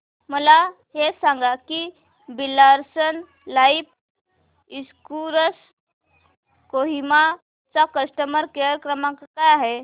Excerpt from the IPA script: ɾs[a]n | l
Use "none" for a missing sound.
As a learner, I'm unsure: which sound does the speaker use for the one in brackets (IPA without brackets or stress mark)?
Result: ə